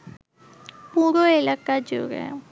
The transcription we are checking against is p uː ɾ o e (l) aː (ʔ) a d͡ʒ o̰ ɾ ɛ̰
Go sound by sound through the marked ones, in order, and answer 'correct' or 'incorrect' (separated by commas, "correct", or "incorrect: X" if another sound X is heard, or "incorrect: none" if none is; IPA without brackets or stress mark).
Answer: correct, incorrect: k